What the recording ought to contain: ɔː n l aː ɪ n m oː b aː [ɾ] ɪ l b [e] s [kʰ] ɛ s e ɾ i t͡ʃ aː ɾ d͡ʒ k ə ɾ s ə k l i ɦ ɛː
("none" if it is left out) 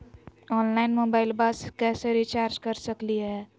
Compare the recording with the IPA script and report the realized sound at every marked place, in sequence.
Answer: none, a, k

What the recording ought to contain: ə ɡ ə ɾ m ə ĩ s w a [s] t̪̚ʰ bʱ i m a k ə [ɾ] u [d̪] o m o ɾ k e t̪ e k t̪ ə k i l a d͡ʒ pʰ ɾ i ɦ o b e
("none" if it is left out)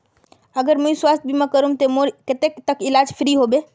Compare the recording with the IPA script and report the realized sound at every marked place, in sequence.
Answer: s, ɾ, t̪

